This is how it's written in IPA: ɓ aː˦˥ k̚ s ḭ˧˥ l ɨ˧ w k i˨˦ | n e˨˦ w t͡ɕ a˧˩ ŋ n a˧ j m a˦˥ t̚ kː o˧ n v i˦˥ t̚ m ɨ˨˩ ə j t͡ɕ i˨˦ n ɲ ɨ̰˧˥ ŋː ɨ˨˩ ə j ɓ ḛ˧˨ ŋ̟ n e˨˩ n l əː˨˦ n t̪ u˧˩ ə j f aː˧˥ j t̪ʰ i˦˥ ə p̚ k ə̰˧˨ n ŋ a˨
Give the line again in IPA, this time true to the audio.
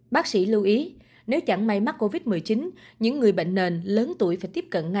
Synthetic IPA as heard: ɓ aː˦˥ k̚ s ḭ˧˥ l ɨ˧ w ʔ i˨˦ | n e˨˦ w t͡ɕ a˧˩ ŋ m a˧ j m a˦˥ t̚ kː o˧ v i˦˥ t̚ m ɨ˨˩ ə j t͡ɕ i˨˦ n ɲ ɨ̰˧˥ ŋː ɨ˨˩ ə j ɓ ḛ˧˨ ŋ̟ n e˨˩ n l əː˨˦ n t̪ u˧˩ ə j f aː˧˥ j t̪ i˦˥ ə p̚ k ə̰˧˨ n ŋ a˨